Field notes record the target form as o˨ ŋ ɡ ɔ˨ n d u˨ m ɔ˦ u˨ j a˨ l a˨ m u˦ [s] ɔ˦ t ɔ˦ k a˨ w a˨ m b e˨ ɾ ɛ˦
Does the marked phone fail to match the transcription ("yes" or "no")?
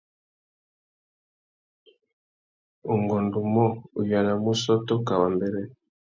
no